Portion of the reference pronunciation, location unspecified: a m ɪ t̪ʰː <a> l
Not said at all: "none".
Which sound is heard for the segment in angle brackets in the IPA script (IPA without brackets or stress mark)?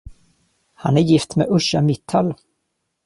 a